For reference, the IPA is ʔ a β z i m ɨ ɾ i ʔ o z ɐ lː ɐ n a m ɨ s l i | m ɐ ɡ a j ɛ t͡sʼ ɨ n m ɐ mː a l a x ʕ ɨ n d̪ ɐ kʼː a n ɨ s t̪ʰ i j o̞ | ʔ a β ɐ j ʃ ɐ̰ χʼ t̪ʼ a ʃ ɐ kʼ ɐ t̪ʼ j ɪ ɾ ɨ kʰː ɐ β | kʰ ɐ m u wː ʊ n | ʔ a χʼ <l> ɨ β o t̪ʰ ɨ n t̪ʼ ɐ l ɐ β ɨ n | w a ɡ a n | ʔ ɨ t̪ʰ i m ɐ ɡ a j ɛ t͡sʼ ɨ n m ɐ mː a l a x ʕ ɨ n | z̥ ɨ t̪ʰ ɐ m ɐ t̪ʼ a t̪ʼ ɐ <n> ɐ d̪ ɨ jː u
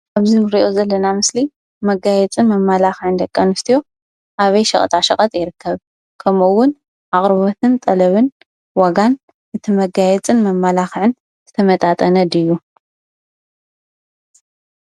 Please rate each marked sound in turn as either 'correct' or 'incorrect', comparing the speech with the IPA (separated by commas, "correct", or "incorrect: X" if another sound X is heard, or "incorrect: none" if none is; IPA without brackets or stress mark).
incorrect: ɾ, correct